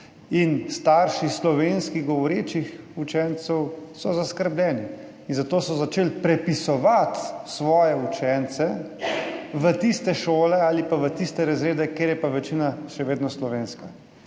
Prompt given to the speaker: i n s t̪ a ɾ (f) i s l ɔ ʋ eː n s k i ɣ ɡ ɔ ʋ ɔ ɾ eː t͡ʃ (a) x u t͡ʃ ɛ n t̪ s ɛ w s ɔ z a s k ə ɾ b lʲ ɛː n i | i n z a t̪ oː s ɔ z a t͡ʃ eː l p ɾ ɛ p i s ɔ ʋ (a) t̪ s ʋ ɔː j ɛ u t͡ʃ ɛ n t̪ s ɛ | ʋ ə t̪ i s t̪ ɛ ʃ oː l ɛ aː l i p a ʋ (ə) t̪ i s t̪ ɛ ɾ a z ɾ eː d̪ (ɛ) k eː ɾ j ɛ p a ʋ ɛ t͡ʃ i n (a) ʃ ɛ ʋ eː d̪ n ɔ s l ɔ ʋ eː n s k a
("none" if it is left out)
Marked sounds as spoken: ʃ, i, a, ə, ɛ, a

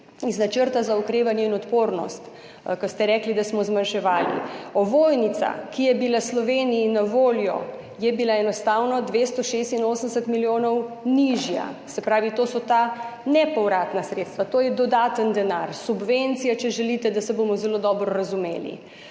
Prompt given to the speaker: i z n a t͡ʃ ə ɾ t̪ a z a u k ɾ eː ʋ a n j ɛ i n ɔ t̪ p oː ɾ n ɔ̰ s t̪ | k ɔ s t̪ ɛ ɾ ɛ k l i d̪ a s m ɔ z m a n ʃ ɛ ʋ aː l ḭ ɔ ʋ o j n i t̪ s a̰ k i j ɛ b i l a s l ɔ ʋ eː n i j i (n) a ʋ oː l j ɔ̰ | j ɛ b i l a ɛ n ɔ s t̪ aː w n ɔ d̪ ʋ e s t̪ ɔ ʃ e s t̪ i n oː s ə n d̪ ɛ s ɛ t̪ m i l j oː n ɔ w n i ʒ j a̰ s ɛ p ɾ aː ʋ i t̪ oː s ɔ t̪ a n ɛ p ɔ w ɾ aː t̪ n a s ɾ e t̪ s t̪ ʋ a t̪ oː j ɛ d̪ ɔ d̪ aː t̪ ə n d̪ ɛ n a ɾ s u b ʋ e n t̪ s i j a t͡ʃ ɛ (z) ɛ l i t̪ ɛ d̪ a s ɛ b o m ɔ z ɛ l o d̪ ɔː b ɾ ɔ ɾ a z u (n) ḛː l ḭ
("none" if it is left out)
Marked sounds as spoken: n, ʒ, m

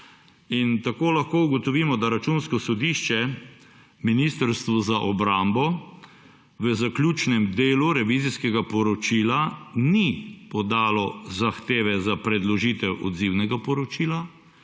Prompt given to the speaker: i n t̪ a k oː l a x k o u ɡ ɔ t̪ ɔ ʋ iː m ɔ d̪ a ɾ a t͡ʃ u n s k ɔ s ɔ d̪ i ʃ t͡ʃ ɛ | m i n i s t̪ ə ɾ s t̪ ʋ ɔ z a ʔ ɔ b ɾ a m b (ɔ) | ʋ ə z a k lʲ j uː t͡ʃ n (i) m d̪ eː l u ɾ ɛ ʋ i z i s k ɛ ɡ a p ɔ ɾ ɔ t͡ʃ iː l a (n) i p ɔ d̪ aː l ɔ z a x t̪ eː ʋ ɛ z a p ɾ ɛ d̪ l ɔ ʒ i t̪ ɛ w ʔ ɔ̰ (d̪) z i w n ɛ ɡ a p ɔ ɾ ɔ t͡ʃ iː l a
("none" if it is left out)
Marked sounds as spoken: ɔ, ɛ, n, d̪

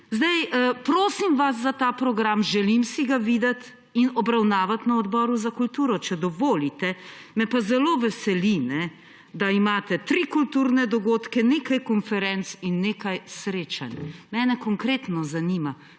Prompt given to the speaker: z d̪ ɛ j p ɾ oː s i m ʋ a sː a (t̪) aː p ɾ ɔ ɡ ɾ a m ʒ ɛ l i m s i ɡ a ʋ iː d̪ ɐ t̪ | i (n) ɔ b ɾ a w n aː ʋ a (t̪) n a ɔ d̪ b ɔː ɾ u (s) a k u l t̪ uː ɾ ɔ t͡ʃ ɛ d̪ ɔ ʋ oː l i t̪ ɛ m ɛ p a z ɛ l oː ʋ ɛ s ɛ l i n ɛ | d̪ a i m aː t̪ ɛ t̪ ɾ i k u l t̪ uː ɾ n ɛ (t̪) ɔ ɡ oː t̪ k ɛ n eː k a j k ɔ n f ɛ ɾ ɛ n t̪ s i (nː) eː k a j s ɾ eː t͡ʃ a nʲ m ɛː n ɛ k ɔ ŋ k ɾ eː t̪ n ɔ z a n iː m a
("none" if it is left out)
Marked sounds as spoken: t̪, n, t̪, z, d̪, nː

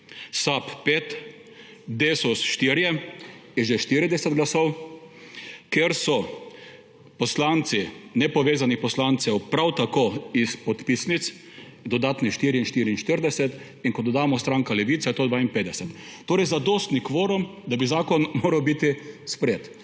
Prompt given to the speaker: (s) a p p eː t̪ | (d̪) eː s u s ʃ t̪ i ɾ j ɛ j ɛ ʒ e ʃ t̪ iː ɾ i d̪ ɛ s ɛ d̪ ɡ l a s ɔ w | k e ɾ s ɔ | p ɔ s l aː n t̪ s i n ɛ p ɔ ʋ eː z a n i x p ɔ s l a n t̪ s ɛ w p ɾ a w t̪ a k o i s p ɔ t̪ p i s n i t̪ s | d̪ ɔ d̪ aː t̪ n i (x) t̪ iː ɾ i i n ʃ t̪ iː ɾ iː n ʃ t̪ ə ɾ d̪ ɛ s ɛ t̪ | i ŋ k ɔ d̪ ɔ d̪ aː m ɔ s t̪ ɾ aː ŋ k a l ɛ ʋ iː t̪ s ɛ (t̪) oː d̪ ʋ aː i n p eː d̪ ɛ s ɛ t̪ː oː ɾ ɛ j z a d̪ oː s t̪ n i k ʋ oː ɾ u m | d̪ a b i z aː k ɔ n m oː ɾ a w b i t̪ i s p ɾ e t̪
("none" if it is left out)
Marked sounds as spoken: s, d̪, ʃ, t̪

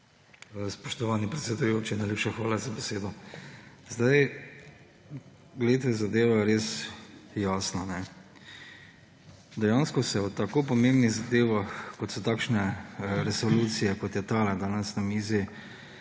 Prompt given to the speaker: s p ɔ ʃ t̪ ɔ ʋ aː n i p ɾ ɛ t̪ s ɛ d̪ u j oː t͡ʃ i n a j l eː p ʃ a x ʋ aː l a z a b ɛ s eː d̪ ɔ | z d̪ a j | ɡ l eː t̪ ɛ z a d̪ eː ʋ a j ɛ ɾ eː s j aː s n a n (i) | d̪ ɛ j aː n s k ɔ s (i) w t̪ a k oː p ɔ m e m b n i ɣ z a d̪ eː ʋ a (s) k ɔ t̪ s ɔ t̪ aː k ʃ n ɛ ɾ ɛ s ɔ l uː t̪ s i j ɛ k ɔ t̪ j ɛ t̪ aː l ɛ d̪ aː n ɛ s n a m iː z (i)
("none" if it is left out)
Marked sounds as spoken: ɛ, ɛ, x, i

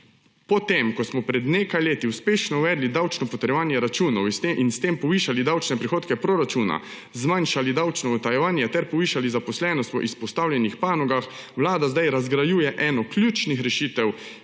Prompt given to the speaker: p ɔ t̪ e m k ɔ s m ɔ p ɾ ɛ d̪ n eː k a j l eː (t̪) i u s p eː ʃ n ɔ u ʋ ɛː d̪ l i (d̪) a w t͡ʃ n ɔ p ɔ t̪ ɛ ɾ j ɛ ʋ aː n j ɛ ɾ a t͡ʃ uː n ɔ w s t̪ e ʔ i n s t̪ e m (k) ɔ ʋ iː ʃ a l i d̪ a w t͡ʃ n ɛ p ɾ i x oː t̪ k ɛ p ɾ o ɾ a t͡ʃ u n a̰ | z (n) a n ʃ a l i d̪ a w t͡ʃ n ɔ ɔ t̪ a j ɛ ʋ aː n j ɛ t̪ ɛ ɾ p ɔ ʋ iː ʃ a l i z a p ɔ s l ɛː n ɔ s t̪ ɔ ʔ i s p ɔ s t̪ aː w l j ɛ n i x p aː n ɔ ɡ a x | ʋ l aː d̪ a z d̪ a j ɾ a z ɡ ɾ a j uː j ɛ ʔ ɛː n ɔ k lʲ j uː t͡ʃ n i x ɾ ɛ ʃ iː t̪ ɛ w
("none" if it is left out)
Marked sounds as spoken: t̪, d̪, p, m

